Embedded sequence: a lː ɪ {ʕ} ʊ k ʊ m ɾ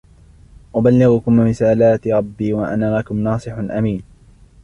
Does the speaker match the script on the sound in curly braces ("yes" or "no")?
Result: no